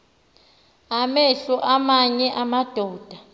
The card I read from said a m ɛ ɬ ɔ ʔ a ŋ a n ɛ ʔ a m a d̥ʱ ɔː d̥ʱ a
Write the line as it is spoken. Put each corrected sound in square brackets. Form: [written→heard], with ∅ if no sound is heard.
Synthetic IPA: a m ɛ ɬ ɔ ʔ a [ŋ→m] a [n→ɲ] ɛ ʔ a m a d̥ʱ ɔː d̥ʱ a